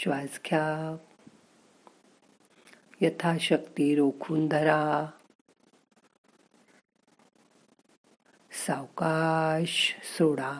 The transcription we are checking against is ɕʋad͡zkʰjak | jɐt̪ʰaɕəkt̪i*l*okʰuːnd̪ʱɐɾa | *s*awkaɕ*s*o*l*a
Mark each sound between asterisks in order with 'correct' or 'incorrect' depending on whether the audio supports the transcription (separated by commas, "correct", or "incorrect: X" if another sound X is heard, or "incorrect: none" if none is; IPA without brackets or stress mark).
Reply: incorrect: ɾ, correct, correct, incorrect: ɽ